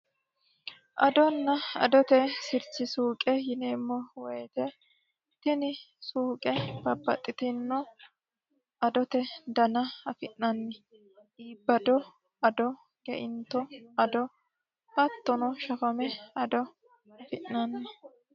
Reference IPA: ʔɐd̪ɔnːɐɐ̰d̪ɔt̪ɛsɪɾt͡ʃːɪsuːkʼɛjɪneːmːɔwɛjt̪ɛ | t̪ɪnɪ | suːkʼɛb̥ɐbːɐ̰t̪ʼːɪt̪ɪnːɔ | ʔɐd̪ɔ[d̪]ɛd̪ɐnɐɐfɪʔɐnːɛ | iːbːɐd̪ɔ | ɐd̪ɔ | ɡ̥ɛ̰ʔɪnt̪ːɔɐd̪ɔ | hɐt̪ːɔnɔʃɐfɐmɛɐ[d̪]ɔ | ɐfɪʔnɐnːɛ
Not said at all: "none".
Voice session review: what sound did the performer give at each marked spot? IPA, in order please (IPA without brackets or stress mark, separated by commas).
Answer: t̪, d̪